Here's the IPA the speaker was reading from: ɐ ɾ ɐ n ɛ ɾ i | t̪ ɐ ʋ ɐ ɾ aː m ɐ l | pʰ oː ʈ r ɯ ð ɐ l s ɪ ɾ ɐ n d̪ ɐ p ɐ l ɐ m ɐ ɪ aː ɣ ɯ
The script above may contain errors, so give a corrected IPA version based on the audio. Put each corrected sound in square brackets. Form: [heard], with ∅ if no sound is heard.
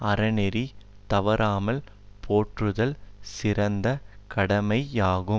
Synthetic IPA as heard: ɐ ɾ ɐ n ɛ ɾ i | t̪ ɐ ʋ ɐ ɾ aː m ɐ l | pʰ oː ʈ r ɯ ð ɐ l s ɪ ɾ ɐ n d̪ ɐ [k] ɐ [ɽ] ɐ m ɐ ɪ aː ɣ ɯ